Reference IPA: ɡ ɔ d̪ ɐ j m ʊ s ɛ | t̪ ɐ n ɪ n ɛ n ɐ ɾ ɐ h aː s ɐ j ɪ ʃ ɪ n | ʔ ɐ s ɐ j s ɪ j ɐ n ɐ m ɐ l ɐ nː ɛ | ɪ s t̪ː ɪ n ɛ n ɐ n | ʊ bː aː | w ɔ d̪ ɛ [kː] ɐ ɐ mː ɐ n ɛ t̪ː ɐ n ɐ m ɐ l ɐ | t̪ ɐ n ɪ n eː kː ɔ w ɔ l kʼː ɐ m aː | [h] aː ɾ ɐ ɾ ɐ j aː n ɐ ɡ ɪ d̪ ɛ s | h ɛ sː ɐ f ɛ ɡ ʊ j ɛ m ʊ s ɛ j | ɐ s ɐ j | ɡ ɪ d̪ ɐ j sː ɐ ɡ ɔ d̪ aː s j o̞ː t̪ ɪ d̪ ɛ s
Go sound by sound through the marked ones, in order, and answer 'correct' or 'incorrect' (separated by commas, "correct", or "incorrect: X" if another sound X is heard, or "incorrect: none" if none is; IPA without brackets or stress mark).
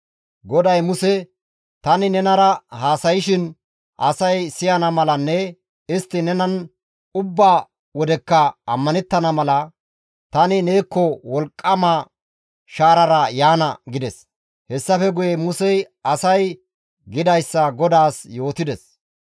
correct, incorrect: ʃ